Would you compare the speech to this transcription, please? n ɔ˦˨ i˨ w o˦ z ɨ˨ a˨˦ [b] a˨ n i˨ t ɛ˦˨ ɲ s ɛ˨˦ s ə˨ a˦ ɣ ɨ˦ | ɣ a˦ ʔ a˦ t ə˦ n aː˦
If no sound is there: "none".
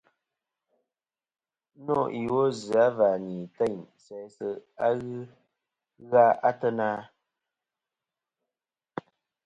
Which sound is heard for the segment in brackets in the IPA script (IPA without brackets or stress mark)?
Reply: v